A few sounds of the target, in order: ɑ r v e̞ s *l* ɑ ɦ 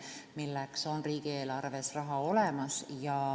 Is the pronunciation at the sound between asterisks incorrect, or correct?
incorrect: r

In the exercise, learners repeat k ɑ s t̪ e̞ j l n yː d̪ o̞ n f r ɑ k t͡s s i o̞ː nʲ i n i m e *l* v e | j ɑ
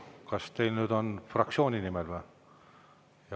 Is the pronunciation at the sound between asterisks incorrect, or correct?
correct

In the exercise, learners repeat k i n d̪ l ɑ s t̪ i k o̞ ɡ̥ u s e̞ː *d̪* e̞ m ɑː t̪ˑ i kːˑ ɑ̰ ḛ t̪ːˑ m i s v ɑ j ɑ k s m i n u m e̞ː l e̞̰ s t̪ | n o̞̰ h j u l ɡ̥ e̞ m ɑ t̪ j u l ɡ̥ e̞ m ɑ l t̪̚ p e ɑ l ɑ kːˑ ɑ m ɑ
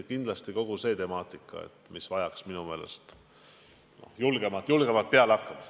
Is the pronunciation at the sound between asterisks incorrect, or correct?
incorrect: t̪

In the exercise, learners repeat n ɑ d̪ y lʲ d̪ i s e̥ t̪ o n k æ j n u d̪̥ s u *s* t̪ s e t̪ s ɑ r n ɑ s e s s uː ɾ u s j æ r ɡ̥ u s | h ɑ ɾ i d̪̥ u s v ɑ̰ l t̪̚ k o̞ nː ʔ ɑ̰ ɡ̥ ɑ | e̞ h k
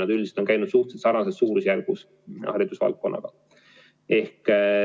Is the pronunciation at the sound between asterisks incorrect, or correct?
incorrect: h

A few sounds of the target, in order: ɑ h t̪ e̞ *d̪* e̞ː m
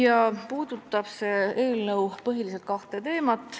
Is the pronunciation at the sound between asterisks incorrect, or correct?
incorrect: t̪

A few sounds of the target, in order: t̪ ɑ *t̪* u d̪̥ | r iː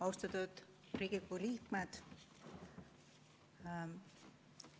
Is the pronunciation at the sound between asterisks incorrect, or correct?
correct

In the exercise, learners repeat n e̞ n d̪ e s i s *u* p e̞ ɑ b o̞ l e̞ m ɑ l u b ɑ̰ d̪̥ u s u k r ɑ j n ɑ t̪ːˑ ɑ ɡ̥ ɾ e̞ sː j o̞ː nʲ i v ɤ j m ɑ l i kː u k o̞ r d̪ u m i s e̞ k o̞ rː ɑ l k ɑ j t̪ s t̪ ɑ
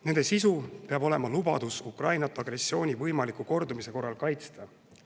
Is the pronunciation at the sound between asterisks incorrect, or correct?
correct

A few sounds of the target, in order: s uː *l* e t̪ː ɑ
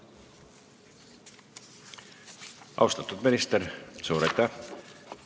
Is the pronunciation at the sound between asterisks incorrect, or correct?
incorrect: ɾ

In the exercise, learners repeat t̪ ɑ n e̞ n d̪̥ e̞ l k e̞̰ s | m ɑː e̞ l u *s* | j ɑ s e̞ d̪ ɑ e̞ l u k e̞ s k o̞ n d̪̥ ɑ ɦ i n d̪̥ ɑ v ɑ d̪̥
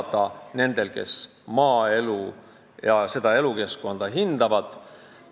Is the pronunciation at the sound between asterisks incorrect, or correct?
incorrect: none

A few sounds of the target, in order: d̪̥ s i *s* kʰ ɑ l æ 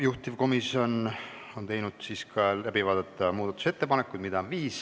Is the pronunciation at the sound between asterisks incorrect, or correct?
correct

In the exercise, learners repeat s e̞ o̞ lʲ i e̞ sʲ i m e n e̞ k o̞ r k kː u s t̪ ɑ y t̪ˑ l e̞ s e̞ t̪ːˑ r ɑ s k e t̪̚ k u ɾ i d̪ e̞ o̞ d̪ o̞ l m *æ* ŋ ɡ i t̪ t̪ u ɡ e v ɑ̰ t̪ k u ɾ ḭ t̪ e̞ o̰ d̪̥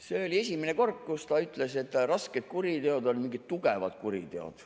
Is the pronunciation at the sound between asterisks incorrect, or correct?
incorrect: i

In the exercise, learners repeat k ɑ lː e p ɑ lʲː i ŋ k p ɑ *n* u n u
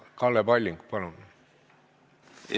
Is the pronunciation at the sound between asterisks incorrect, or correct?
correct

